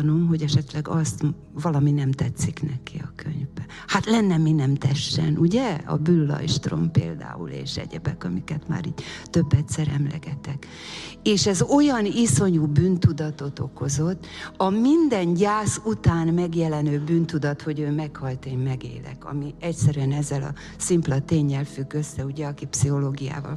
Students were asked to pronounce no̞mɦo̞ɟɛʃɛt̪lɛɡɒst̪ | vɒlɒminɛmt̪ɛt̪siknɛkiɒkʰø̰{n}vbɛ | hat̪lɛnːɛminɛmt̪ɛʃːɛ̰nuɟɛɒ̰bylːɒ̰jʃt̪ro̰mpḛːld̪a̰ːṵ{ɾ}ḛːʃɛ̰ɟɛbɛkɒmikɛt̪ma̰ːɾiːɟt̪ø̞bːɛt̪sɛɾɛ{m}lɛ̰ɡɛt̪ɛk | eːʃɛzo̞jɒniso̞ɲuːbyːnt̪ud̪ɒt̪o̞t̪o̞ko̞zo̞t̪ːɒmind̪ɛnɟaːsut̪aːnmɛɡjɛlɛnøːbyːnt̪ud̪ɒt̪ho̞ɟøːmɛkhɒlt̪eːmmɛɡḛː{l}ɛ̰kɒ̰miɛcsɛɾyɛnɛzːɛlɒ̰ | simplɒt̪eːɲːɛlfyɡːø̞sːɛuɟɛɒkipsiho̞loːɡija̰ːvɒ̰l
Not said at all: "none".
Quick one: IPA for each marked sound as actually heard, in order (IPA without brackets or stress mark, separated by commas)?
ɲ, l, m, l